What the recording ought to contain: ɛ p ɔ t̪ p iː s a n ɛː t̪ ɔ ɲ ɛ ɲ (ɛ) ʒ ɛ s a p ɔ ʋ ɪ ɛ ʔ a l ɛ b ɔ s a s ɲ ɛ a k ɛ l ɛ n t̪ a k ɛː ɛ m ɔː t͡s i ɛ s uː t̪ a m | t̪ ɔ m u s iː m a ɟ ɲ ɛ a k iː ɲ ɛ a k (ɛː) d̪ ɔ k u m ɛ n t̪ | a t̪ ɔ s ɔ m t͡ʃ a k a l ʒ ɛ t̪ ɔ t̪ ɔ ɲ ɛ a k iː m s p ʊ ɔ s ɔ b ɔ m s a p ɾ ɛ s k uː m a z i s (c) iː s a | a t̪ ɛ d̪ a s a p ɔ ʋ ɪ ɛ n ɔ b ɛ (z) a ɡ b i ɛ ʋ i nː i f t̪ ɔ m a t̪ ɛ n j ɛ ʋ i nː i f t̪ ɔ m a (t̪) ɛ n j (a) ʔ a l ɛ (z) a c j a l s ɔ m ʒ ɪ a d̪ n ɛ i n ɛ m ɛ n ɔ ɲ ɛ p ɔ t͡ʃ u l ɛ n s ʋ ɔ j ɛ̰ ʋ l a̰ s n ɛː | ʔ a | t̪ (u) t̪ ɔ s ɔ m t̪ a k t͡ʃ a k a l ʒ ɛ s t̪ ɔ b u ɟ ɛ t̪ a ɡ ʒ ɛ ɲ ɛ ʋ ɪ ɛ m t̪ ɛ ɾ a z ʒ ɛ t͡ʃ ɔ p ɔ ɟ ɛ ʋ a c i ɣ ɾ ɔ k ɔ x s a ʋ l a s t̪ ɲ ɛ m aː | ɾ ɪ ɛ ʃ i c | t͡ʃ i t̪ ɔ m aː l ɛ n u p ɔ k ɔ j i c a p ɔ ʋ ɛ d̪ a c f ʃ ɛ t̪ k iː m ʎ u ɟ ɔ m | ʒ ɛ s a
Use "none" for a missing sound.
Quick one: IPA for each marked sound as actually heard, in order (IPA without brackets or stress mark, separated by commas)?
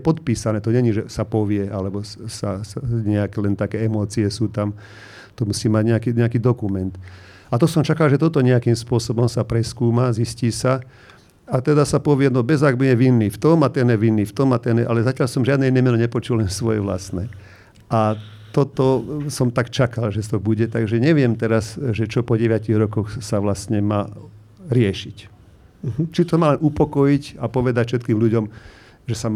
i, iː, c, z, t̪, ɛ, z, ɔ